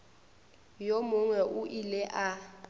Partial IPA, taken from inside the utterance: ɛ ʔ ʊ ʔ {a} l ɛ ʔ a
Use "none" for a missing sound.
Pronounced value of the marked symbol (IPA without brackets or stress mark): i